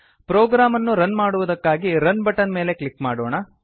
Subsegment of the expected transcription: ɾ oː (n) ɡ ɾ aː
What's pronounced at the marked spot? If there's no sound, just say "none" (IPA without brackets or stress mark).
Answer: none